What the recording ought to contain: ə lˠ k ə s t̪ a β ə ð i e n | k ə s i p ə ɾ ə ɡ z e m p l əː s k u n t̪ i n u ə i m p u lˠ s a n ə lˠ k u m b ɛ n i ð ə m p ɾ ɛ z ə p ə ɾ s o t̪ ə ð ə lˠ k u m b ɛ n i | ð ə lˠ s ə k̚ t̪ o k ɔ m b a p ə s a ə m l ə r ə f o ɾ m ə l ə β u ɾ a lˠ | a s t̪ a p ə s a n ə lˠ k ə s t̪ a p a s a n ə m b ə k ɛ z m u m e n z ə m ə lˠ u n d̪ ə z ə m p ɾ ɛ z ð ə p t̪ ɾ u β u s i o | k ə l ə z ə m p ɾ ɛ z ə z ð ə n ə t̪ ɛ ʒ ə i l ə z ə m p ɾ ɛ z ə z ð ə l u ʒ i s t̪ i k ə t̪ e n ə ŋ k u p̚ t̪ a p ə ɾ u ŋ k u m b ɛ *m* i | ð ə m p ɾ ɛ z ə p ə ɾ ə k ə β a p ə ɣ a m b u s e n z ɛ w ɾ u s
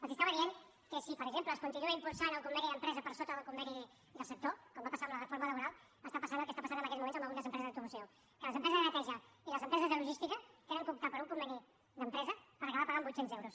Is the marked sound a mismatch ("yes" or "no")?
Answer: yes